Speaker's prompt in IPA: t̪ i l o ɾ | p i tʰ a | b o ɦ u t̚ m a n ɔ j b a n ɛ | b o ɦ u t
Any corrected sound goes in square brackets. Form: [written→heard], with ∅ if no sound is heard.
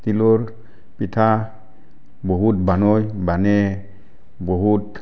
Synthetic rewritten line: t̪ i l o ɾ | p i tʰ a | b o ɦ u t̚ [m→b] a n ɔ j b a n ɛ | b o ɦ u t